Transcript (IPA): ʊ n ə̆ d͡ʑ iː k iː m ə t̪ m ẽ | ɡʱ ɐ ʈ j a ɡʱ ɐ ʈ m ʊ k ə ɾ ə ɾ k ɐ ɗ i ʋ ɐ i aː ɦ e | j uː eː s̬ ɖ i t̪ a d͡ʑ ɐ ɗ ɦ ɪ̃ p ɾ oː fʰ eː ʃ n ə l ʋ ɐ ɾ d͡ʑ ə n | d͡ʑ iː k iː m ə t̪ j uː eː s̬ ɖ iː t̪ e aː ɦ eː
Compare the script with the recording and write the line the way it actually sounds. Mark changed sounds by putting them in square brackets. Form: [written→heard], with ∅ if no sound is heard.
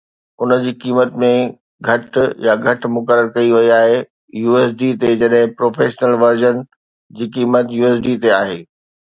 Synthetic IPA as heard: ʊ n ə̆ d͡ʑ iː k iː m ə t̪ m ẽ | ɡʱ ɐ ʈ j a ɡʱ ɐ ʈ m ʊ k ə ɾ ə ɾ k ɐ [ɗ→∅] i ʋ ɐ i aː ɦ e | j uː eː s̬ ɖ i t̪ [a→e] d͡ʑ ɐ ɗ ɦ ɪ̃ p ɾ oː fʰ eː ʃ n ə l ʋ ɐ ɾ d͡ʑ ə n | d͡ʑ iː k iː m ə t̪ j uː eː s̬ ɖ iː t̪ e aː ɦ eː

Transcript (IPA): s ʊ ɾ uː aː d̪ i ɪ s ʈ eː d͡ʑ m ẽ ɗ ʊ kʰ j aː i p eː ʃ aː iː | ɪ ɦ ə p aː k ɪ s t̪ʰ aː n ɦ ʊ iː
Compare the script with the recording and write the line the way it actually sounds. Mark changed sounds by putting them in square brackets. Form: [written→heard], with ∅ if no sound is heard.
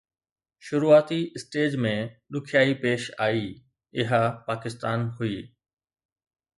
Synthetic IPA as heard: [s→ʃ] ʊ ɾ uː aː [d̪→t̪] i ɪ s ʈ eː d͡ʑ m ẽ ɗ ʊ kʰ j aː i p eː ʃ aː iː | ɪ ɦ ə p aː k ɪ s [t̪ʰ→t̪] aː n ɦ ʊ iː

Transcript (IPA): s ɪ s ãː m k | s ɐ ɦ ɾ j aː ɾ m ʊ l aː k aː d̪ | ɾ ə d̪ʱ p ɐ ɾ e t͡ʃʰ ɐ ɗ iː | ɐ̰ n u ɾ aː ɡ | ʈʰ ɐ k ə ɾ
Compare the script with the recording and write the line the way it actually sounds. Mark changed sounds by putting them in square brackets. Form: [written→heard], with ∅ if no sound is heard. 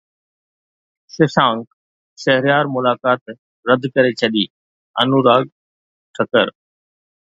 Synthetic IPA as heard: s ɪ s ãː [m→ŋ] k | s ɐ ɦ ɾ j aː ɾ m ʊ l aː k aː [d̪→t̪] | ɾ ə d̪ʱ [p→k] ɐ ɾ e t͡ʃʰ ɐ ɗ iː | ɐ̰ n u ɾ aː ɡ | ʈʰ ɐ k ə ɾ

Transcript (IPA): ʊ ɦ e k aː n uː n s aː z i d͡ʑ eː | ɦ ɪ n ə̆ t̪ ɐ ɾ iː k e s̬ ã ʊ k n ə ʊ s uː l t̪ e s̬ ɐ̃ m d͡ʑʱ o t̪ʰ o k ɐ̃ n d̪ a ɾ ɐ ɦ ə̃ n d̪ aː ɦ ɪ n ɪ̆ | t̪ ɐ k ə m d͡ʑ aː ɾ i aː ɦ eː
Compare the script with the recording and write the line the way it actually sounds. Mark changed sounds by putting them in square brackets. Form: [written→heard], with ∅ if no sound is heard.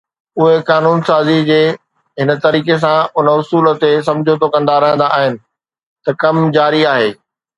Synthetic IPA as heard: ʊ ɦ e k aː n uː n s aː z i d͡ʑ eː | ɦ ɪ n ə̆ t̪ ɐ ɾ iː k e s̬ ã ʊ [k→∅] n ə ʊ s uː l t̪ e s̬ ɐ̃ m d͡ʑʱ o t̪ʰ o k ɐ̃ n d̪ a ɾ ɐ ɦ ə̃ n d̪ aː ɦ ɪ n ɪ̆ | t̪ ɐ k [ə→ɐ] m d͡ʑ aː ɾ i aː ɦ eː

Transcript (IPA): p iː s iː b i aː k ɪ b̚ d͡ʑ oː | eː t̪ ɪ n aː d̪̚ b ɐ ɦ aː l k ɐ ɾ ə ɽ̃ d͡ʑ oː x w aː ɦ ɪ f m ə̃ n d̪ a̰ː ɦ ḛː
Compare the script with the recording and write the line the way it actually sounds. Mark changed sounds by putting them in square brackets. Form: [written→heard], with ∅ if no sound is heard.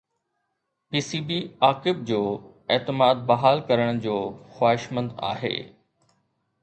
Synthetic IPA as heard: p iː s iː b i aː k ɪ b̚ d͡ʑ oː | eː t̪ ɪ [n→m] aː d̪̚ b ɐ ɦ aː l k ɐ ɾ ə ɽ̃ d͡ʑ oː x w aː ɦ ɪ [f→ʃ] m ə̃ n d̪ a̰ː ɦ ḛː

